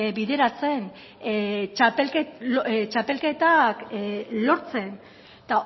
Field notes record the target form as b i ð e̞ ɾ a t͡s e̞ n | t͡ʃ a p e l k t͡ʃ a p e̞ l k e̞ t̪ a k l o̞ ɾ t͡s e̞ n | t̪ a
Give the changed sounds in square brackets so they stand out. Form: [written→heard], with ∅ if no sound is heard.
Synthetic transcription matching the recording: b i ð e̞ ɾ a t͡s e̞ n | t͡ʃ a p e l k t͡ʃ a p e̞ l k e̞ t̪ a k l o̞ ɾ t͡s e̞ n | t̪ a